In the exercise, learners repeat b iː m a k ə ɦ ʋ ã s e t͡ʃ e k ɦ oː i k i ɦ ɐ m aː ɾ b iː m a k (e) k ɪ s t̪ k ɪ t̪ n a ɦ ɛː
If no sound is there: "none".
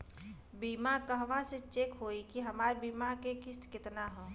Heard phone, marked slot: e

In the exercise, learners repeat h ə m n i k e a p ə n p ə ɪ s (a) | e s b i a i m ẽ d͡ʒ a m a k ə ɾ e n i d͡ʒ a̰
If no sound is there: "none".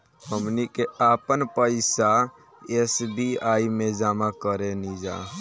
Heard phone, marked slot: a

